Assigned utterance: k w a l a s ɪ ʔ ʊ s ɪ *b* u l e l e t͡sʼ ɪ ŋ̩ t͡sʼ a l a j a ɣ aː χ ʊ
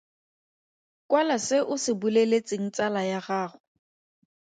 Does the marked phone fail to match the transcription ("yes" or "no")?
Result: no